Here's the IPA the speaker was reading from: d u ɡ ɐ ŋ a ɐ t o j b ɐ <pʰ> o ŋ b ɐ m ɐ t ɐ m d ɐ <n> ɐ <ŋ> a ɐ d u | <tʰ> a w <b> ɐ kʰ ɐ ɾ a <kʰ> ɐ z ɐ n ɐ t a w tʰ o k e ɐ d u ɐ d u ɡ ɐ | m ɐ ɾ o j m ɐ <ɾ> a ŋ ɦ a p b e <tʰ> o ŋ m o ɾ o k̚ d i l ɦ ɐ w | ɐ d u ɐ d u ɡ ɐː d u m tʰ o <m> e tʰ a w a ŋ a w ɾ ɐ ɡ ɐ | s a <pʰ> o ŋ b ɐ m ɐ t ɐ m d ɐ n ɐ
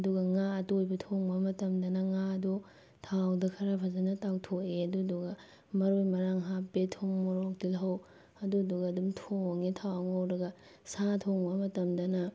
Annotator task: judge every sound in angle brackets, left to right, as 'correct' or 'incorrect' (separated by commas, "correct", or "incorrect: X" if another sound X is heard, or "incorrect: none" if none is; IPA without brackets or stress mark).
incorrect: tʰ, correct, correct, correct, incorrect: d, incorrect: pʰ, correct, correct, incorrect: ŋ, incorrect: tʰ